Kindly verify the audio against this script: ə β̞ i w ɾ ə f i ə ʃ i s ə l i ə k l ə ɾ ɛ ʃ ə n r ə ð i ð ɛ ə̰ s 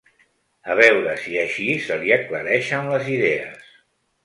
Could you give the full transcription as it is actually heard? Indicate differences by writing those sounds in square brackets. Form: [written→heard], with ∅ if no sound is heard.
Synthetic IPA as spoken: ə β̞ [i→ɛ] w ɾ ə [f→s] i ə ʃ i s ə l i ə k l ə ɾ ɛ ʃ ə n [r→l] ə [ð→z] i ð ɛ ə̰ s

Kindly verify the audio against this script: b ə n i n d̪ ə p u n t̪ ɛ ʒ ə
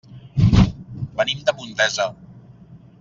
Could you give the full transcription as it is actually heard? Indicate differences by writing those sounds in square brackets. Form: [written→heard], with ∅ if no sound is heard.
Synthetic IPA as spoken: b ə n i [n→m] d̪ ə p u n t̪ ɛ [ʒ→z] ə

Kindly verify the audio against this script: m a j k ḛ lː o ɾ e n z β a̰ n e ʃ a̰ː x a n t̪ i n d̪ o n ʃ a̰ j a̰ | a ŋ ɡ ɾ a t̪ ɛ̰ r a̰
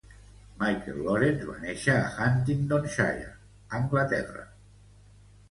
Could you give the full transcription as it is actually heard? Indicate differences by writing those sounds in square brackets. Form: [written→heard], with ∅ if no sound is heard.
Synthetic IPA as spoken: m a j k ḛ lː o ɾ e n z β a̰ n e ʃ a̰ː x a n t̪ i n d̪ o n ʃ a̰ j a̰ | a ŋ ɡ [ɾ→l] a t̪ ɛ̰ r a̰

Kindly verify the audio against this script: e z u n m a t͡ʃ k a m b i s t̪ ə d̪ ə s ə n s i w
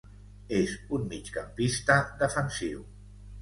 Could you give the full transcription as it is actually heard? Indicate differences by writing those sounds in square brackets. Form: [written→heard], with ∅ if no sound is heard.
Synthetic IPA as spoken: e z u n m [a→i] t͡ʃ k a m [b→p] i s t̪ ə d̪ ə [s→f] ə n s i w

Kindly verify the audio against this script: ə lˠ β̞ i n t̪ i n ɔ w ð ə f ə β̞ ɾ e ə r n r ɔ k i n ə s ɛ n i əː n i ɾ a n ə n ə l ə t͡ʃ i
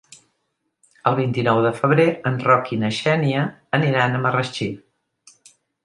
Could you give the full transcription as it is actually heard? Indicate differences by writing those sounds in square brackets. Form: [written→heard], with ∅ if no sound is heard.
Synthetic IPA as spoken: ə lˠ β̞ i n t̪ i n ɔ w ð ə f ə β̞ ɾ e ə [r→∅] n r ɔ k i n ə [s→ʃ] ɛ n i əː n i ɾ a n ə [n→m] ə [l→r] ə t͡ʃ i

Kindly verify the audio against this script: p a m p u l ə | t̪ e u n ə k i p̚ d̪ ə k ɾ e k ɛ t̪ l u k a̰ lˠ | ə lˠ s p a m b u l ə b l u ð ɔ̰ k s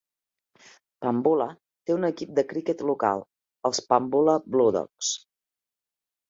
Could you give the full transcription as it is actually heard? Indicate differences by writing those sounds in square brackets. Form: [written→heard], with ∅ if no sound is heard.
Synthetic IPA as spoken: p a m [p→b] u l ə | t̪ e u n ə k i p̚ d̪ ə k ɾ [e→i] k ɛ t̪ l u k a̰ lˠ | ə lˠ s p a m b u l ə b l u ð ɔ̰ k s

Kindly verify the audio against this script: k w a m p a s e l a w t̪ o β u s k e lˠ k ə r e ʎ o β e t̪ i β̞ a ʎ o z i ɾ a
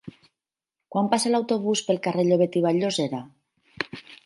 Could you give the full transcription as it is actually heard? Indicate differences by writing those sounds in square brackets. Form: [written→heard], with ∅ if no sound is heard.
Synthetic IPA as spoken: k w a m p a s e l a w t̪ o β u s [k→p] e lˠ k [ə→a] r e ʎ o β e t̪ i β̞ a ʎ o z [i→e] ɾ a

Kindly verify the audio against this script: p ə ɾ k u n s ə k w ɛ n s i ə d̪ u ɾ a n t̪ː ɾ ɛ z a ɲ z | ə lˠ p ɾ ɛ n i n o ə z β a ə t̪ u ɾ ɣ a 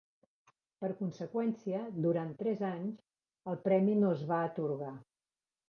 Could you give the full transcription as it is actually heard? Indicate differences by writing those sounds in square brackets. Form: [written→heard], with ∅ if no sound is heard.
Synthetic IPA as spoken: p ə ɾ k u n s ə k w ɛ n s i ə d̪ u ɾ a n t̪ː ɾ ɛ z a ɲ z | ə lˠ p ɾ ɛ [n→m] i n o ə z β a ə t̪ u ɾ ɣ a

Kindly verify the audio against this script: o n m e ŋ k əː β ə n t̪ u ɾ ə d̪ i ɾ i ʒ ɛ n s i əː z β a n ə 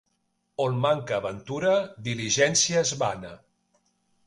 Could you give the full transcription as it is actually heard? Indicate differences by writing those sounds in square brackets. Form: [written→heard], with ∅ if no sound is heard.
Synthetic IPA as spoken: o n m [e→a] ŋ k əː β ə n t̪ u ɾ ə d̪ i [ɾ→l] i ʒ ɛ n s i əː z β a n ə

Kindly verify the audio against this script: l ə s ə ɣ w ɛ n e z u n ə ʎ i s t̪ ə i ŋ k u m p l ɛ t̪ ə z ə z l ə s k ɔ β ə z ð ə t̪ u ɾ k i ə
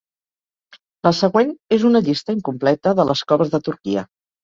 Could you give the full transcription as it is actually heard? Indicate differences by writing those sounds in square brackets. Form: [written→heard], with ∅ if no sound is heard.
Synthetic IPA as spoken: l ə s ə ɣ w [ɛ→e] n e z u n ə ʎ i s t̪ ə i ŋ k u m p l ɛ t̪ ə [z→ð] ə [z→∅] l ə s k ɔ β ə z ð ə t̪ u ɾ k i ə

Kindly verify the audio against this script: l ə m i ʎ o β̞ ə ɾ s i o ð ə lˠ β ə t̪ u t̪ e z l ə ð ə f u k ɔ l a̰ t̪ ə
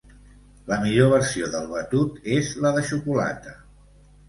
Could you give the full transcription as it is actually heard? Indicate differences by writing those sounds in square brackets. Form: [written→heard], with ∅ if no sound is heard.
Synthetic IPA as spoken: l ə m i ʎ o β̞ ə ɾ s i o ð ə lˠ β ə t̪ u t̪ e z l ə ð ə [f→ʃ] u k [ɔ→u] l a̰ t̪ ə

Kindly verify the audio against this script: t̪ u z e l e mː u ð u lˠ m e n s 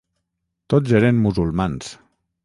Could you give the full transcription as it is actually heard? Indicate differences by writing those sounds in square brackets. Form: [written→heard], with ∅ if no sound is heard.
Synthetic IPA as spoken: t̪ [u→o] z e [l→ɾ] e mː u [ð→z] u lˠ m [e→a] n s

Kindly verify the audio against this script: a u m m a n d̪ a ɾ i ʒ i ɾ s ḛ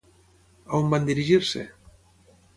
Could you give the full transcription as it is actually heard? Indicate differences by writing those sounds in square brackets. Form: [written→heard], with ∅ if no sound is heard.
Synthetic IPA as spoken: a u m [m→b] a n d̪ [a→i] ɾ i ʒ i ɾ s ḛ

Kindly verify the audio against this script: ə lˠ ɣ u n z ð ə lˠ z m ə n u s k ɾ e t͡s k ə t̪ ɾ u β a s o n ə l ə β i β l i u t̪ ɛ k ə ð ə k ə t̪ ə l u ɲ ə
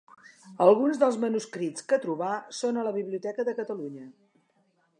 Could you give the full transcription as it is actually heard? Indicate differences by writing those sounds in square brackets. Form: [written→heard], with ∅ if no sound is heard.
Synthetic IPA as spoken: ə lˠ ɣ u n z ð ə lˠ z m ə n u s k ɾ [e→i] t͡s k ə t̪ ɾ u β a s o n ə l ə β i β l i u t̪ ɛ k ə ð ə k ə t̪ ə l u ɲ ə

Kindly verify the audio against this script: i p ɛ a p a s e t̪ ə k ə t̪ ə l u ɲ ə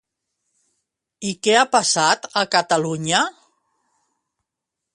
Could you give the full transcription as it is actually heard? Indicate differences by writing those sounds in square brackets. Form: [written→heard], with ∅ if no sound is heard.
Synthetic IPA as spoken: i [p→k] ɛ a p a s [e→a] t̪ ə k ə t̪ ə l u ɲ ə

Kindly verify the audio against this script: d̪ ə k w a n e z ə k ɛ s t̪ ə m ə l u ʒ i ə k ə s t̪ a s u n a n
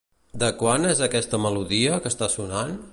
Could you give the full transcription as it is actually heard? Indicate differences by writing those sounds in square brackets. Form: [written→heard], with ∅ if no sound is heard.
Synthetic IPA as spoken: d̪ ə k w a n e z ə k ɛ s t̪ ə m ə l u [ʒ→ð] i ə k ə s t̪ a s u n a n

